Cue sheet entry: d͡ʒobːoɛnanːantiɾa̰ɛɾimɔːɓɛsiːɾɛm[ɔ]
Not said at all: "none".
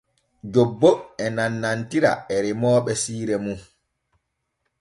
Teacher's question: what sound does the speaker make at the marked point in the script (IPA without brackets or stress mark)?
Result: u